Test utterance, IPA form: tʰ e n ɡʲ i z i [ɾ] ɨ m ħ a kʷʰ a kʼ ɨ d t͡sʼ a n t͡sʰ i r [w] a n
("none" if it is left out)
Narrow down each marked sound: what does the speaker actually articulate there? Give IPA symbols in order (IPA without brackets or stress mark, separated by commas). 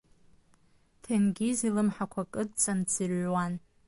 l, w